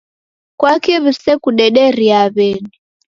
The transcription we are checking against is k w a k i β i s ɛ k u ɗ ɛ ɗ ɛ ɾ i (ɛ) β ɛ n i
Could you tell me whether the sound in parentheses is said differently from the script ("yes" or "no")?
yes